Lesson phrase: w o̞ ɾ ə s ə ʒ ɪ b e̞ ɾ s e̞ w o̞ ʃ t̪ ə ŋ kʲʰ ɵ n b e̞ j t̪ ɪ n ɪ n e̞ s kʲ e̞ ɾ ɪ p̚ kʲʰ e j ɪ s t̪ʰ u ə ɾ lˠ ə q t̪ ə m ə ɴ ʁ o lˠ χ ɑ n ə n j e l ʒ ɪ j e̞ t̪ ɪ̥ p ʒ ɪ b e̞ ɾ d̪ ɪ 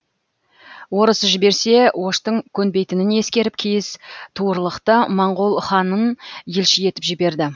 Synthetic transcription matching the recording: w o̞ ɾ ə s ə ʒ ɪ b e̞ ɾ s e̞ w o̞ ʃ t̪ ə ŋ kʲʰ ɵ n b e̞ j t̪ ɪ n ɪ n e̞ s kʲ e̞ ɾ ɪ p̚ kʲʰ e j ɪ s t̪ʰ u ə ɾ lˠ ə q t̪ ə m ɑ ɴ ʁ o lˠ χ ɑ n ə n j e l ʃ ɪ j e̞ t̪ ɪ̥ p ʒ ɪ b e̞ ɾ d̪ ɪ